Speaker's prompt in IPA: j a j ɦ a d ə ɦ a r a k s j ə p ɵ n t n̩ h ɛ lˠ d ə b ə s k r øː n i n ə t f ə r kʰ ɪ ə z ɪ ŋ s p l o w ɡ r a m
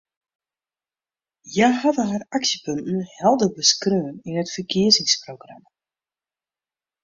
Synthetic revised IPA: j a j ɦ a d ə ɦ a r a k s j ə p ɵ n t n̩ h ɛ lˠ d ə b ə s k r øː n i n ə t f ə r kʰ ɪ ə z ɪ ŋ s p r o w ɡ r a m